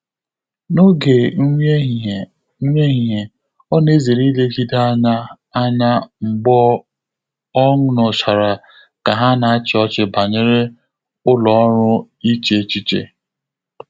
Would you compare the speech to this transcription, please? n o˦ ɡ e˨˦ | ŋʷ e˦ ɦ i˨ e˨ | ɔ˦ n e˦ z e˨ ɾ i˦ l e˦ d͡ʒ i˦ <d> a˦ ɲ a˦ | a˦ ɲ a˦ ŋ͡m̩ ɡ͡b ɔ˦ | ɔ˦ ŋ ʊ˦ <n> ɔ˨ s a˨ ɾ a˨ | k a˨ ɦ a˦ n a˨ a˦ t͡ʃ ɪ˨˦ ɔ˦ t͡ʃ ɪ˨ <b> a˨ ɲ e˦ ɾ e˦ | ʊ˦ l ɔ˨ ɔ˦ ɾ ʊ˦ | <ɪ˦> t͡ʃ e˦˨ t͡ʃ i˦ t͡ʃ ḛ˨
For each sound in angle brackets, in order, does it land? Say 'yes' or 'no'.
yes, yes, yes, no

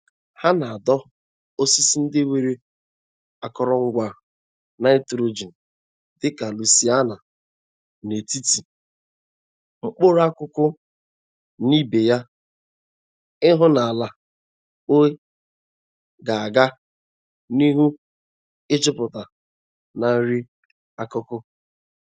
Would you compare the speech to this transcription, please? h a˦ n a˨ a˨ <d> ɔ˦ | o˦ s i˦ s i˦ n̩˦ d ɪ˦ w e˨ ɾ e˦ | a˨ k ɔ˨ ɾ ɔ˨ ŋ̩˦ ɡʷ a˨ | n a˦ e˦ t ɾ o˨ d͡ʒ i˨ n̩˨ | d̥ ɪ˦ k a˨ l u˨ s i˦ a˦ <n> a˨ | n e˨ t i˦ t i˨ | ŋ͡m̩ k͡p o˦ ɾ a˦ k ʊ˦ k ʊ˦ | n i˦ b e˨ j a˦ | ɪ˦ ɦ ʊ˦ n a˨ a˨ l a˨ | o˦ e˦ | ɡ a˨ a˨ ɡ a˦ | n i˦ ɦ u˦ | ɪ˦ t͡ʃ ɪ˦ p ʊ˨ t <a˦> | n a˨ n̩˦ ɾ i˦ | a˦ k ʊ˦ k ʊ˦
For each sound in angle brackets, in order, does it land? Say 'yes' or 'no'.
yes, yes, no

